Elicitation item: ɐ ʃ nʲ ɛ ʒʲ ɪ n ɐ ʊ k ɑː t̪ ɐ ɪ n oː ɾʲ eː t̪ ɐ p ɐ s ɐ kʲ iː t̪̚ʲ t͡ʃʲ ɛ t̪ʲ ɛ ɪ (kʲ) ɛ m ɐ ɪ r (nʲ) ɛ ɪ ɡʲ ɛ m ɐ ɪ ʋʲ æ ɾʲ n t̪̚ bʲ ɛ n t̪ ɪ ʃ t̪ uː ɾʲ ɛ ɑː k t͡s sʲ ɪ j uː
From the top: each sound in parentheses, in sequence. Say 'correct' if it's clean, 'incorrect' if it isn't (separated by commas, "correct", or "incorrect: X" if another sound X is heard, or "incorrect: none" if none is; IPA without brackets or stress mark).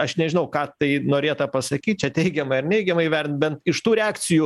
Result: incorrect: ɡʲ, correct